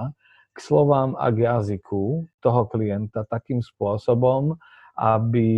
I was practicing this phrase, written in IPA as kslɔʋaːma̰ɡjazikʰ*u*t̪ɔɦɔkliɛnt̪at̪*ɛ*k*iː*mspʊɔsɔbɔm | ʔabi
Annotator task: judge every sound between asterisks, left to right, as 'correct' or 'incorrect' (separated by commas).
correct, incorrect, correct